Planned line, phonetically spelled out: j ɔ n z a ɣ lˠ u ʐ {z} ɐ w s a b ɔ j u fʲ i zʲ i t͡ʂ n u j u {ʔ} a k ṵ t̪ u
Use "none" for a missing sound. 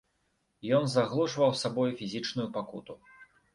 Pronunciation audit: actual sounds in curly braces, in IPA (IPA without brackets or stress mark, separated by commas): v, p